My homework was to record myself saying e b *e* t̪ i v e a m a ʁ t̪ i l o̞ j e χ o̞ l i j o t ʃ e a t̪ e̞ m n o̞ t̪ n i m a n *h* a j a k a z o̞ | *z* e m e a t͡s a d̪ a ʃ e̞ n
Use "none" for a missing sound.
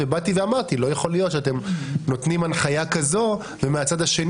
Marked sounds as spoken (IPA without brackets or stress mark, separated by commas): a, χ, v